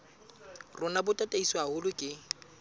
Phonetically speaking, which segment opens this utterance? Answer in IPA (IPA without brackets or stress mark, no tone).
r